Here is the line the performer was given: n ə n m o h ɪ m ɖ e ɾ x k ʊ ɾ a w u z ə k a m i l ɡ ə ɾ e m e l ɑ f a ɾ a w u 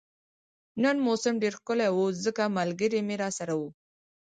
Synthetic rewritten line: n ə n m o s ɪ m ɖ e ɾ x k ʊ l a w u z ə k a m a l ɡ ə ɾ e m e ɾ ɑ s a ɾ a w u